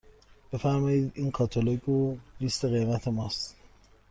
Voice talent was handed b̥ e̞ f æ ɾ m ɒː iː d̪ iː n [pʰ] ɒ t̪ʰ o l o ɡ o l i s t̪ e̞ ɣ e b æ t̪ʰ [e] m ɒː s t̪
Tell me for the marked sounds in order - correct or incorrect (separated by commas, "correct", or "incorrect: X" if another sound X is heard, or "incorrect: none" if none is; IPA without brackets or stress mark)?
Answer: incorrect: kʰ, correct